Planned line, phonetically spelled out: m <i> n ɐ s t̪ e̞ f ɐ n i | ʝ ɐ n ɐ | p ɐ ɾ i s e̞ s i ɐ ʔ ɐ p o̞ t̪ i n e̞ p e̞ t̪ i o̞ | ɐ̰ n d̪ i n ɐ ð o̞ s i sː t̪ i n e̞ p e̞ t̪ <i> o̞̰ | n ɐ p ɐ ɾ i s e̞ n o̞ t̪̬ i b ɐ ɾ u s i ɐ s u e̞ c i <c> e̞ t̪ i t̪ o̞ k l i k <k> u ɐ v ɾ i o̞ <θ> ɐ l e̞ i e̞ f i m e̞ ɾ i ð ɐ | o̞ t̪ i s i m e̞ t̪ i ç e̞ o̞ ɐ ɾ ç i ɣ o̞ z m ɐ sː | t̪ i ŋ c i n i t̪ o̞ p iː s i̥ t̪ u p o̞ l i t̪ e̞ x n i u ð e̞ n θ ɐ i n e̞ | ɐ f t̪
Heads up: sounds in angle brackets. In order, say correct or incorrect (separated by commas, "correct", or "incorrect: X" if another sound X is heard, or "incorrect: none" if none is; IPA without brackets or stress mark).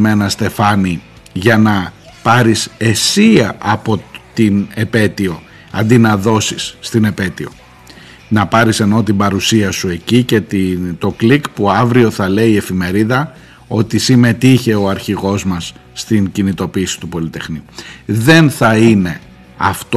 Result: incorrect: e, correct, correct, incorrect: p, correct